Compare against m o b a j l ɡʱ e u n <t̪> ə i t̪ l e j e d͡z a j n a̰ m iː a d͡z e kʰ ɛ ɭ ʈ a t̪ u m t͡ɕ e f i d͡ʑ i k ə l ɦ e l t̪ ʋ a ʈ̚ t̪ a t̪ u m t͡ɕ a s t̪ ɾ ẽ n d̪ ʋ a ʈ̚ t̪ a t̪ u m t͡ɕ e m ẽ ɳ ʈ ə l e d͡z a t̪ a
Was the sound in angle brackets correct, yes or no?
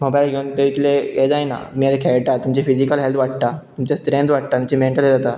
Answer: yes